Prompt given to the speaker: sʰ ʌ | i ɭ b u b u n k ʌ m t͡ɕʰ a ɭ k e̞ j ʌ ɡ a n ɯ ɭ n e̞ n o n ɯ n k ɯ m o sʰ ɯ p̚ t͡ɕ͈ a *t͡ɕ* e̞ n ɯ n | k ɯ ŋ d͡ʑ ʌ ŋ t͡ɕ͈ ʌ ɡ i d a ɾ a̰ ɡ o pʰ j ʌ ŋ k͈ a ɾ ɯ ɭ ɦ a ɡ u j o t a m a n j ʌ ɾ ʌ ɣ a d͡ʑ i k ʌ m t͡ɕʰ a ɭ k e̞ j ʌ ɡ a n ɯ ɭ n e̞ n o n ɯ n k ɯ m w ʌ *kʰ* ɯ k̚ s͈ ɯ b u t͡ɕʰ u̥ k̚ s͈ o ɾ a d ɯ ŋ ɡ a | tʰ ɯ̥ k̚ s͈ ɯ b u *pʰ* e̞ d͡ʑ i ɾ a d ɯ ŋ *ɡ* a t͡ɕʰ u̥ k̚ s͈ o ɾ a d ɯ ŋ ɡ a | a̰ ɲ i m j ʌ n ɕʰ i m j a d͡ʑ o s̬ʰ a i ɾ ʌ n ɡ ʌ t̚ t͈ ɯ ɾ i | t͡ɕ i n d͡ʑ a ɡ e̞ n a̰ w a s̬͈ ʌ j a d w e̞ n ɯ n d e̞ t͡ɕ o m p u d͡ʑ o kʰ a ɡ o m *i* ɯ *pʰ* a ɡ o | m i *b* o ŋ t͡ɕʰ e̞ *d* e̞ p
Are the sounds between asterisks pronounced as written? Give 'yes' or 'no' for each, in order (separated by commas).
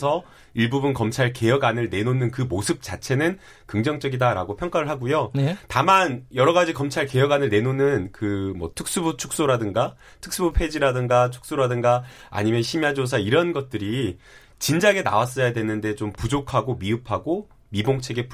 no, no, yes, yes, yes, yes, yes, no